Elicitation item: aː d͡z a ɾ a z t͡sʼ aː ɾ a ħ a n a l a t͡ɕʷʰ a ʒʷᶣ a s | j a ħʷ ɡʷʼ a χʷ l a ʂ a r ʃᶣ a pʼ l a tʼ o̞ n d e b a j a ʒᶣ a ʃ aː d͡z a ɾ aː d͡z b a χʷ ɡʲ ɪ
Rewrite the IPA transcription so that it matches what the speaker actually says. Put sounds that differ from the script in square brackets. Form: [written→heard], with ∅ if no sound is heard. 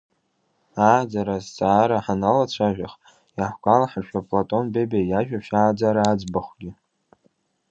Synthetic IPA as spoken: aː d͡z a ɾ a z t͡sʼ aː ɾ a ħ a n a l a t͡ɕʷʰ a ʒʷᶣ a [s→χ] | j a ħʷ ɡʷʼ a [χʷ→∅] l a [ʂ→ħ] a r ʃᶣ a pʼ l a tʼ o̞ n [d→b] e b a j a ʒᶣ a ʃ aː d͡z a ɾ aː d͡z b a χʷ ɡʲ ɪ

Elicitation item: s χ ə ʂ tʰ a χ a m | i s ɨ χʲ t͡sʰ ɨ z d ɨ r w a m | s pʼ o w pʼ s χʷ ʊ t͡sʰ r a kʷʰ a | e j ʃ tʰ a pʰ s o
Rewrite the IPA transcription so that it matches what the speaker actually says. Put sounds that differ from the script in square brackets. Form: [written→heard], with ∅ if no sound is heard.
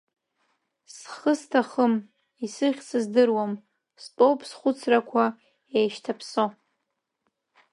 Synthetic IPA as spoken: s χ ə [ʂ→s] tʰ a χ [a→ə] m | i s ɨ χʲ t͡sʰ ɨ z d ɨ r w a m | s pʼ o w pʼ s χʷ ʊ t͡sʰ r a kʷʰ a | e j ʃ tʰ a pʰ s o

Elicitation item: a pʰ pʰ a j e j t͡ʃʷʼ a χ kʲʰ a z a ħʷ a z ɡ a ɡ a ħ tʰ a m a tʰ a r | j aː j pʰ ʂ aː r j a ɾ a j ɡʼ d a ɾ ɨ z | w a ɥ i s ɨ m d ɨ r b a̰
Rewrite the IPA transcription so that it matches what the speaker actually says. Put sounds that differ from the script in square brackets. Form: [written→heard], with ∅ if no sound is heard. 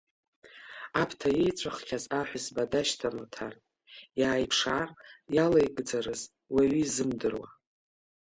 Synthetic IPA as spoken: a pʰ [pʰ→tʰ] a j e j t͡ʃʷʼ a χ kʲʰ a z a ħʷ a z [ɡ→b] a [ɡ→d] a [ħ→ʃ] tʰ a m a tʰ a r | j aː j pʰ ʂ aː r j a [ɾ→l] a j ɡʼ [d→d͡z] a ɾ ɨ z | w a ɥ i [s→z] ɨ m d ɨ r [b→w] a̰

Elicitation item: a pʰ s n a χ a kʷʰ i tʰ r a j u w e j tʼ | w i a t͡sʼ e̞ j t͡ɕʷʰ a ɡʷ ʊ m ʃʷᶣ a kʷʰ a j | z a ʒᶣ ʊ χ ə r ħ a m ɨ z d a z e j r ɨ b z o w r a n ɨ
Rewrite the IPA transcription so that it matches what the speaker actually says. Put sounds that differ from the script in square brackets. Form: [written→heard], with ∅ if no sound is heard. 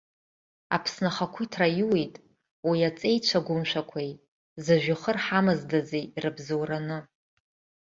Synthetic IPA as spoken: a pʰ s n a χ a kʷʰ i tʰ r a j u w e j tʼ | w i a t͡sʼ e̞ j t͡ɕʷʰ a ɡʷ ʊ m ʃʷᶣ a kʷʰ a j | z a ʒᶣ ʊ χ ə r ħ a m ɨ z d a z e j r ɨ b z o w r a n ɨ

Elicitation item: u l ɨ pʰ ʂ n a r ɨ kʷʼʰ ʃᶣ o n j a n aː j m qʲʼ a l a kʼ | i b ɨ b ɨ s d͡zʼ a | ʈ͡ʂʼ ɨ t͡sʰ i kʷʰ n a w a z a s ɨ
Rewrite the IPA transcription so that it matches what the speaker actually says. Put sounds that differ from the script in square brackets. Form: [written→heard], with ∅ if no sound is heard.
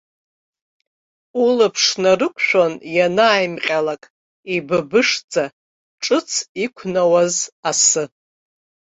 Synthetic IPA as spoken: u l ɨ pʰ ʂ n a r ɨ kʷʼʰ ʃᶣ o n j a n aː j m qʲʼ a l a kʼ | i b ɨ b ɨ [s→ʂ] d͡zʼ a | ʈ͡ʂʼ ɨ t͡sʰ i kʷʰ n a w a z a s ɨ

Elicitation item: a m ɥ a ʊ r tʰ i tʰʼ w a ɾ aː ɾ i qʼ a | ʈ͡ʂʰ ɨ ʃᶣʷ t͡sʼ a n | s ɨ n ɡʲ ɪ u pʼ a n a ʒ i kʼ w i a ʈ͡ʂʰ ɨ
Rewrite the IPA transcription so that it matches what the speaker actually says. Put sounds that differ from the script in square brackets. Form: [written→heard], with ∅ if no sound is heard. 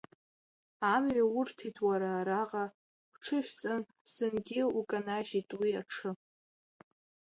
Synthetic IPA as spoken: a m ɥ a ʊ r tʰ i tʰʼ w a ɾ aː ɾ [i→a] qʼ a | ʈ͡ʂʰ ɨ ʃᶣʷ t͡sʼ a n | s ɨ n ɡʲ ɪ u [pʼ→kʼ] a n a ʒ i [kʼ→tʼ] w i a ʈ͡ʂʰ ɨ

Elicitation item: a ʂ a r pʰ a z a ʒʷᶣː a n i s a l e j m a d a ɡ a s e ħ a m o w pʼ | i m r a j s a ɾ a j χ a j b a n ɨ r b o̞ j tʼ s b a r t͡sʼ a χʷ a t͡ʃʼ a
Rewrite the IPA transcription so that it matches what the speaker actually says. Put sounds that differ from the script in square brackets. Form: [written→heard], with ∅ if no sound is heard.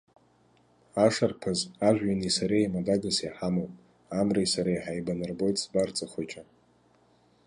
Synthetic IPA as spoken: a ʂ a r pʰ a z a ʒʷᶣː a n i s a [l→ɾ] e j m a d a ɡ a s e ħ a m o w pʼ | [i→a] m r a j s a ɾ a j [χ→ħ] a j b a n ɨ r b o̞ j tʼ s b a r t͡sʼ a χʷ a t͡ʃʼ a

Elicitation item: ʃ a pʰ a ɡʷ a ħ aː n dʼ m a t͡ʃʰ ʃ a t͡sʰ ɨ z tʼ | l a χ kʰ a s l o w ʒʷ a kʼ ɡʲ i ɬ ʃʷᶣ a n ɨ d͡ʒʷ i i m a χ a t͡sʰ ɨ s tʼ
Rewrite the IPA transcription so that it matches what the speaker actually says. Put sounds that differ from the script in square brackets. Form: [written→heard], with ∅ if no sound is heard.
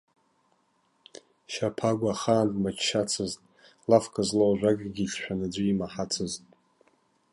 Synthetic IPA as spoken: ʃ a pʰ a ɡʷ a [ħ→χ] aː n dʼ m a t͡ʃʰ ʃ a t͡sʰ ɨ z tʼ | l a [χ→f] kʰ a [s→z] l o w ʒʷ a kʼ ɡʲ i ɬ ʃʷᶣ a n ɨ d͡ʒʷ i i m a [χ→ħ] a t͡sʰ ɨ [s→z] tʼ

